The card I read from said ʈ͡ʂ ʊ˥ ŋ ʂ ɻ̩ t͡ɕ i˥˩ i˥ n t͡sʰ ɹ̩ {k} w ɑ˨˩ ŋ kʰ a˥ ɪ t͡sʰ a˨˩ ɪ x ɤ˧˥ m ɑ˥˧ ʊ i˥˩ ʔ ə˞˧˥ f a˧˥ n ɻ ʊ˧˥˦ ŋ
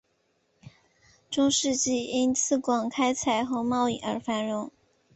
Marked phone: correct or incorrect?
correct